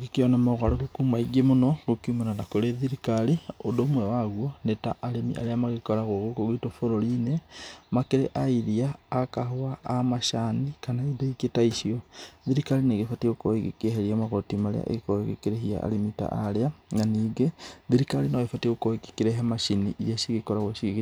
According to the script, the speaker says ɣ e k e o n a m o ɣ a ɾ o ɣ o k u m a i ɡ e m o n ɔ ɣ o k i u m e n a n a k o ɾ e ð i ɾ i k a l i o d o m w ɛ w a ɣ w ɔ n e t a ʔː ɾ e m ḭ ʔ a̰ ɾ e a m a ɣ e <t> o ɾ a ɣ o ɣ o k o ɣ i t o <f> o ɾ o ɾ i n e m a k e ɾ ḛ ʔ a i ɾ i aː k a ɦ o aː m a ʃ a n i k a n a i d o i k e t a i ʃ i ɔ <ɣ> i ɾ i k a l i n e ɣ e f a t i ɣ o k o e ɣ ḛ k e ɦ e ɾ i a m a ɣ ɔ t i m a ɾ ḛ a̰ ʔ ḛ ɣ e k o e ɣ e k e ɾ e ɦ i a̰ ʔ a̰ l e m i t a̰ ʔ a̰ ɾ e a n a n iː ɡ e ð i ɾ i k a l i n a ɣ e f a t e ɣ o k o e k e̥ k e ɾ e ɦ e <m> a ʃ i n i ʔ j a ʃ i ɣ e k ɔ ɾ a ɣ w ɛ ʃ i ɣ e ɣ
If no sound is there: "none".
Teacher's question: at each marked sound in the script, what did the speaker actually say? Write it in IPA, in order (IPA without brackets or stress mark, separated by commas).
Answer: k, f, ð, m